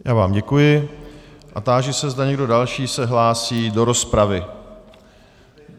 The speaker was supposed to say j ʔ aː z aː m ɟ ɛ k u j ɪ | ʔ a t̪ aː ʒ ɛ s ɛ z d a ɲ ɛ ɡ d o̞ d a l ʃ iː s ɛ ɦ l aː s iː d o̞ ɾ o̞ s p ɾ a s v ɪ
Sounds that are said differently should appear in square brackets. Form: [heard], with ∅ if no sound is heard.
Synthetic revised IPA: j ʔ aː [v] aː m ɟ ɛ k u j ɪ | ʔ a t̪ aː ʒ ɛ s ɛ z d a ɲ ɛ ɡ d o̞ d a l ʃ iː s ɛ ɦ l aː s iː d o̞ ɾ o̞ s p ɾ a [∅] v ɪ